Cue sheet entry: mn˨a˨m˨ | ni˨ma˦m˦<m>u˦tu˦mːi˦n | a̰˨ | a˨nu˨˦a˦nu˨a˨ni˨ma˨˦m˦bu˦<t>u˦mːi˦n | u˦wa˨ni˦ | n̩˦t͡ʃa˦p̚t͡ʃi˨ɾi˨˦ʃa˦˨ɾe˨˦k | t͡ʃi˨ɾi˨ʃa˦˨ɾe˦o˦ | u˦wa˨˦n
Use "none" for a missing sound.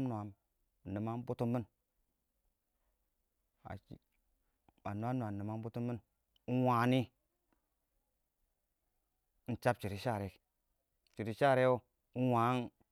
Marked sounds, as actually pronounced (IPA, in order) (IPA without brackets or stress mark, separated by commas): b, t